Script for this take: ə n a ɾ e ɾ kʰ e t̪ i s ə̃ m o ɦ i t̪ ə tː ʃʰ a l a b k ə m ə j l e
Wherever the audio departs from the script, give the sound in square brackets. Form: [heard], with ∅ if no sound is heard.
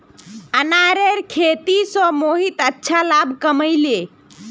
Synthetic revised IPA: ə n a ɾ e ɾ kʰ e t̪ i s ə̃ m o ɦ i t̪ ə tː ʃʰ a l a b k ə m ə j l e